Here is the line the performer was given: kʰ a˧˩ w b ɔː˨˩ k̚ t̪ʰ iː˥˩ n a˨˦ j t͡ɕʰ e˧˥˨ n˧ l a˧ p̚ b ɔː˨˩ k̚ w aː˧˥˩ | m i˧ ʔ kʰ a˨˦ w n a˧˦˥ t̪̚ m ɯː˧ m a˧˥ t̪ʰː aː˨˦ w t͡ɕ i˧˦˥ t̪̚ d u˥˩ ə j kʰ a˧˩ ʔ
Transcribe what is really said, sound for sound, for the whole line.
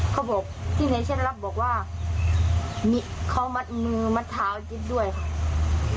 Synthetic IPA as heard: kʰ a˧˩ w b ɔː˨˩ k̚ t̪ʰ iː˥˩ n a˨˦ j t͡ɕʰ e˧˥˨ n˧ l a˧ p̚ b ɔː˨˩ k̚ w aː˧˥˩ | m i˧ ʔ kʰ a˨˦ w m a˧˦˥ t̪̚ m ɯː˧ m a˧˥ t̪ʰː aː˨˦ w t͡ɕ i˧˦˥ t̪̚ d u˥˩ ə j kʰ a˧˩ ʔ